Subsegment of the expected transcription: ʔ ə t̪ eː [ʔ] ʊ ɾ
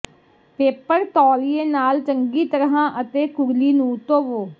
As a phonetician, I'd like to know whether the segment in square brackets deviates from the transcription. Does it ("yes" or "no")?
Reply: yes